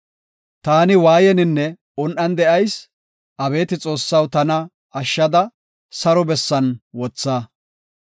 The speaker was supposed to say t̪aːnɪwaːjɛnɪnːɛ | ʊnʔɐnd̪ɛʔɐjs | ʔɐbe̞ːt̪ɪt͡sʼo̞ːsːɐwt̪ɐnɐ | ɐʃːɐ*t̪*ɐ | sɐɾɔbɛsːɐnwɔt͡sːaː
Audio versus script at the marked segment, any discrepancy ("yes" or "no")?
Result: yes